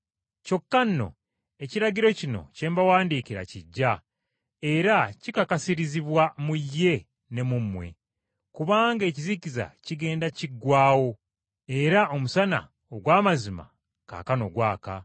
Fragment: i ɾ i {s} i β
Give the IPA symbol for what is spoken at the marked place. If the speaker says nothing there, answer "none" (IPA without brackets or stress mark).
z